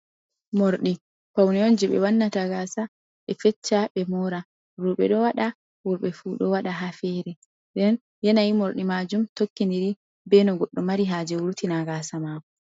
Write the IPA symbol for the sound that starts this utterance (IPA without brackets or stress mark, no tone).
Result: m